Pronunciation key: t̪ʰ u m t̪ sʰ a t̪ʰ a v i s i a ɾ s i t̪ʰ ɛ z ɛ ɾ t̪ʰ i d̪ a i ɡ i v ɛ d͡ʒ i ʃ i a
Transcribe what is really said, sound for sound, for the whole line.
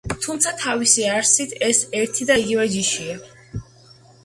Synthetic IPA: t̪ʰ u m t̪ sʰ a t̪ʰ a v i s i a ɾ s i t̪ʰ ɛ s ɛ ɾ t̪ʰ i d̪ a i ɡ i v ɛ d͡ʒ i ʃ i a